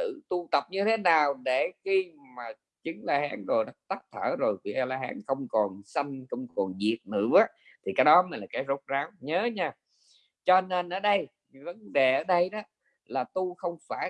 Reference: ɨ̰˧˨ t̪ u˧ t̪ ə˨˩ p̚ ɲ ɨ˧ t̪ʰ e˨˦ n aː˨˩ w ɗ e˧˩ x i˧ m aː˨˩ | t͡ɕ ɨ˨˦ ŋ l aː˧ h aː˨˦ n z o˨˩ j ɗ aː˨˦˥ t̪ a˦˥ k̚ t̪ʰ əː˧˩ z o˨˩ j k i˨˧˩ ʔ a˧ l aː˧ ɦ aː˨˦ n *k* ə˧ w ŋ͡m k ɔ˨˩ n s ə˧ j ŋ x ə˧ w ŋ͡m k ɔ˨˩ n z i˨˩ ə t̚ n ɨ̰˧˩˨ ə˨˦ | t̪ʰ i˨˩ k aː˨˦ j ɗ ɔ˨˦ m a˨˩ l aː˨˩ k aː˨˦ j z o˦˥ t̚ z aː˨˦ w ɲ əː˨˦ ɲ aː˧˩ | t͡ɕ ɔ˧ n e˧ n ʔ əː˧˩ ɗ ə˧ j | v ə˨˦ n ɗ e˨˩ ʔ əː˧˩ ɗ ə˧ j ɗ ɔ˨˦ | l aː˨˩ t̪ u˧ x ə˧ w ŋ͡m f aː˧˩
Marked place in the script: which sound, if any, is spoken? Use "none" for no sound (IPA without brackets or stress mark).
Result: x